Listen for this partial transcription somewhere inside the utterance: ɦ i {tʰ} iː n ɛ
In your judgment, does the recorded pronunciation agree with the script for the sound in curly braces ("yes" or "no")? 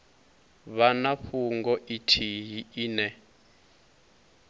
no